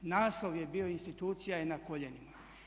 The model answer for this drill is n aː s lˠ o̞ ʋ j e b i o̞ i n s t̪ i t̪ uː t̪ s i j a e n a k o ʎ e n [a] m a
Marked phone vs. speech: incorrect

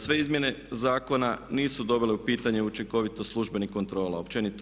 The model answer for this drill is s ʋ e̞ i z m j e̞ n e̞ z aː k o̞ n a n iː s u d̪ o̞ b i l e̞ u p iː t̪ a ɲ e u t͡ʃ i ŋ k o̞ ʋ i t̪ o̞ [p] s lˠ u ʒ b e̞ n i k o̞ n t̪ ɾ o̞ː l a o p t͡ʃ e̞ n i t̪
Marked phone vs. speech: incorrect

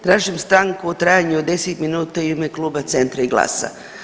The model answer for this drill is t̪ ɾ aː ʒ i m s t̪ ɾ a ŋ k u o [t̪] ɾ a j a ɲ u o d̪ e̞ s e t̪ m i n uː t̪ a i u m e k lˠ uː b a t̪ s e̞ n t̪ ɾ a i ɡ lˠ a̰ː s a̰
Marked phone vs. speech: correct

